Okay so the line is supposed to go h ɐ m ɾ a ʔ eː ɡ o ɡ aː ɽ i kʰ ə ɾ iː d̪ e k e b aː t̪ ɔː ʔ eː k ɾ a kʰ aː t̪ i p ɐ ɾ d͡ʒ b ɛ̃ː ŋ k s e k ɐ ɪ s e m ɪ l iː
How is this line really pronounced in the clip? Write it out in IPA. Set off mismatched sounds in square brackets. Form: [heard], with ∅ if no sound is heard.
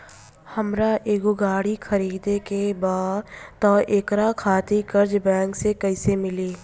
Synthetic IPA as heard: h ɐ m ɾ a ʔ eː ɡ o ɡ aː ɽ i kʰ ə ɾ iː d̪ e k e b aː t̪ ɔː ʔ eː k ɾ a kʰ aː t̪ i [k] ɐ ɾ d͡ʒ b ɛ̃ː ŋ k s e k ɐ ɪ s e m ɪ l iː